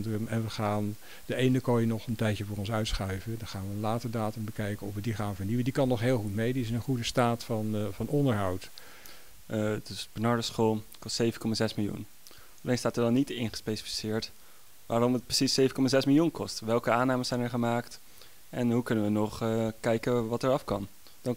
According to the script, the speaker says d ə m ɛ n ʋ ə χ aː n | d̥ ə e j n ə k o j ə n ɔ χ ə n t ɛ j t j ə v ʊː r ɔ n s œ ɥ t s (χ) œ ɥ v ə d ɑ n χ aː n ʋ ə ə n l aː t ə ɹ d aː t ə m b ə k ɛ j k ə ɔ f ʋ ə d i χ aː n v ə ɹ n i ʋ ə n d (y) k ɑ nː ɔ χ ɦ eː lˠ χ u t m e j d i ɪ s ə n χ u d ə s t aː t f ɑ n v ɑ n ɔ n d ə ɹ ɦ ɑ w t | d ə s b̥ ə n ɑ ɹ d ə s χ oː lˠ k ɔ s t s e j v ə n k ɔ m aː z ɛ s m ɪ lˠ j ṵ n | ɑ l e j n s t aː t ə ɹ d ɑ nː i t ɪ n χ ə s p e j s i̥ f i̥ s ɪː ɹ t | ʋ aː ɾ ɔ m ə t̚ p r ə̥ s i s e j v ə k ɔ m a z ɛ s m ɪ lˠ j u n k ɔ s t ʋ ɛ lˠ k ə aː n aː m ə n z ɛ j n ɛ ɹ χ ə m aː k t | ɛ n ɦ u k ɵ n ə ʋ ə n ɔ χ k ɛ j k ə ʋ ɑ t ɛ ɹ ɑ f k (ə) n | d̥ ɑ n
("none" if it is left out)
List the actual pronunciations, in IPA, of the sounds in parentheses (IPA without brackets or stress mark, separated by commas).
χ, i, ɑ